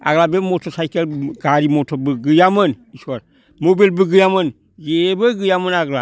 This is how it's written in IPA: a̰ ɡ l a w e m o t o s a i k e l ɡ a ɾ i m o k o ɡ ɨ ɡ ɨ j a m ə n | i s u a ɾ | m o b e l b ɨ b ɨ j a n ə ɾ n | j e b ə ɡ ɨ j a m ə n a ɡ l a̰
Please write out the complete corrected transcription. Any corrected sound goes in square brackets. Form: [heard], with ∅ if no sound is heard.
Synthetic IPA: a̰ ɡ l a [b] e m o t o s a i k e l ɡ a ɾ i m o [t] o [b] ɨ ɡ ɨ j a m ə n | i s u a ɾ | m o b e l b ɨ [ɡ] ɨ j a [m] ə [∅] n | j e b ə ɡ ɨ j a m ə n a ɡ l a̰